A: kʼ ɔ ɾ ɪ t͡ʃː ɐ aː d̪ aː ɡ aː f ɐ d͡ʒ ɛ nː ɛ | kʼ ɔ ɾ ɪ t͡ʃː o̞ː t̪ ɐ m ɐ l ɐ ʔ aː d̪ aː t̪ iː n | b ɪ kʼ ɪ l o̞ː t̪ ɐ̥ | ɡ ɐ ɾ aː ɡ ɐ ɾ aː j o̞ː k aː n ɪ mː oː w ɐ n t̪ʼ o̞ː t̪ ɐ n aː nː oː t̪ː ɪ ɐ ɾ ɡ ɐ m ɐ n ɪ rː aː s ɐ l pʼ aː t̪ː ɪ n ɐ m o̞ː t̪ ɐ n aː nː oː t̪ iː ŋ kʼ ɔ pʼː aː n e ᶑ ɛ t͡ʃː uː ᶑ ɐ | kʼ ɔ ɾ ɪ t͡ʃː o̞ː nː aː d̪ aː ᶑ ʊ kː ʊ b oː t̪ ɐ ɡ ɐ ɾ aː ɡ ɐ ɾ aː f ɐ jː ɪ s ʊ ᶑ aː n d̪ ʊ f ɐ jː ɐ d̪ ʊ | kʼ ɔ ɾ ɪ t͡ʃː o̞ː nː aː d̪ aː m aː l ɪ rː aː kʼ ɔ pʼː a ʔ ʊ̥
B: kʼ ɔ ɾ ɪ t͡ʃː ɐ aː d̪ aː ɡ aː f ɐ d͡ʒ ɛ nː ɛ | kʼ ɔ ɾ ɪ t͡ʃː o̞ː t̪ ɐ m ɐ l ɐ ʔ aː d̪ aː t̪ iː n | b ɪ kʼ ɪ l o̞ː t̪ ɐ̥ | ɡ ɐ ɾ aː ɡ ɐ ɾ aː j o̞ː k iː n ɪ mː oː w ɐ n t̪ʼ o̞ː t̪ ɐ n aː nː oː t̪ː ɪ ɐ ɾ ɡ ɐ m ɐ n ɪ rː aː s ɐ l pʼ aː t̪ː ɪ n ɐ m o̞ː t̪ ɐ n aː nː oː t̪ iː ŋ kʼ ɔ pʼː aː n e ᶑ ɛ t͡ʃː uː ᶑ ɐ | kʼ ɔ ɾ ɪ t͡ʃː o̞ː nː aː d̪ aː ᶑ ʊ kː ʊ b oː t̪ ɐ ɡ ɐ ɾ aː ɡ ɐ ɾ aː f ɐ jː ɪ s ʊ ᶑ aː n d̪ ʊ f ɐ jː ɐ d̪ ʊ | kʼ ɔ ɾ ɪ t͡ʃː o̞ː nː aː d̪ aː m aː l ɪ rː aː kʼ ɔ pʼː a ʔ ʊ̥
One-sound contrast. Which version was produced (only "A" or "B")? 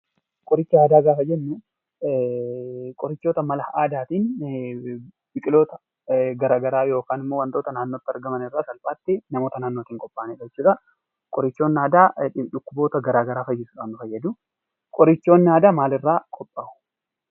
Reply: A